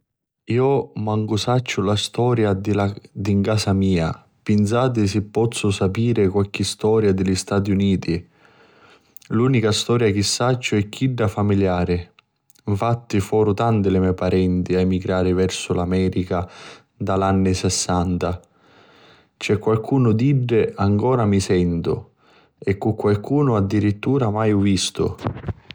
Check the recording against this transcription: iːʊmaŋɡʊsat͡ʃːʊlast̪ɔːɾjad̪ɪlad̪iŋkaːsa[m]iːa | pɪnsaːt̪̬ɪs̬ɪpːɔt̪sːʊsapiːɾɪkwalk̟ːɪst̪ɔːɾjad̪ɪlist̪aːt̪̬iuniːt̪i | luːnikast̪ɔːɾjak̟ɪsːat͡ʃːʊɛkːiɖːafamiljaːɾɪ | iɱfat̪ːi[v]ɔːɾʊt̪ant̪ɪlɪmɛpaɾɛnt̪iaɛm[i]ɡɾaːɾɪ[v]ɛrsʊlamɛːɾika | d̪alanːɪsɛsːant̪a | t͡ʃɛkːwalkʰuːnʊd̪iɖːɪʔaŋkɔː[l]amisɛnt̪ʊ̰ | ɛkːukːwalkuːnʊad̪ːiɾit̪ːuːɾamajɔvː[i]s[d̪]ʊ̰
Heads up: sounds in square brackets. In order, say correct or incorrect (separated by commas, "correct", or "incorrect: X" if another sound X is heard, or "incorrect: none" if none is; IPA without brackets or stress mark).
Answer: correct, incorrect: f, correct, correct, incorrect: ɾ, correct, incorrect: t̪